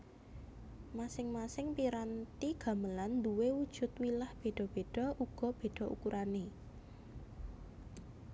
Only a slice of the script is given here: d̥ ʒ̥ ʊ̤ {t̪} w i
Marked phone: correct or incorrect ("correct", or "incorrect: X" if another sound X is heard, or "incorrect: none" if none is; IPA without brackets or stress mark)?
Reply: correct